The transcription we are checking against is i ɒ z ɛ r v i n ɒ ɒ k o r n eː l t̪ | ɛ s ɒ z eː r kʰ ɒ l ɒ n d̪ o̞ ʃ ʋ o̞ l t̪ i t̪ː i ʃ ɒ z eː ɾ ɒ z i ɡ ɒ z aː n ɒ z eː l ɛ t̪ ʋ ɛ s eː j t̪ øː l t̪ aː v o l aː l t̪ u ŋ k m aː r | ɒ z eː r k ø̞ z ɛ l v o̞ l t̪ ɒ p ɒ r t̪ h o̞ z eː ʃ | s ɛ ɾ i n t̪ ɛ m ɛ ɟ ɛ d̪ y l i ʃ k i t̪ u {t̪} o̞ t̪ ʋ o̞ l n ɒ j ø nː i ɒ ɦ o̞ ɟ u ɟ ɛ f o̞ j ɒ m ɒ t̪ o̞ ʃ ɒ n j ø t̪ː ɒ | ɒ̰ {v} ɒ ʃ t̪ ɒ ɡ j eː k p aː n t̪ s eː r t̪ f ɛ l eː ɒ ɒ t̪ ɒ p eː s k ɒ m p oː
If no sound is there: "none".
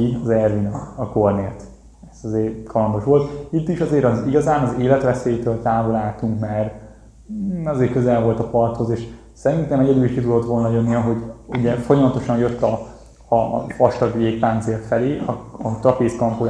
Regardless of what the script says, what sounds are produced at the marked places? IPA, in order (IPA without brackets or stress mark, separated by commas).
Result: d̪, f